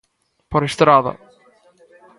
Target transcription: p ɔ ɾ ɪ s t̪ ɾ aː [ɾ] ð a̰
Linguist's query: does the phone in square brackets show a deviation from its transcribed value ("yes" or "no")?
yes